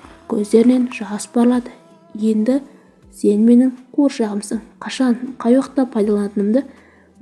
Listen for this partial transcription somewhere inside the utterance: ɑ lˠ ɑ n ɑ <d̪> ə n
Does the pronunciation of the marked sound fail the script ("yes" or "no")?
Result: yes